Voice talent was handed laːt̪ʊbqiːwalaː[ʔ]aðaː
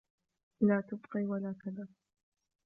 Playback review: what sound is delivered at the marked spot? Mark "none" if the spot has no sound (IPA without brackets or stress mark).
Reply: k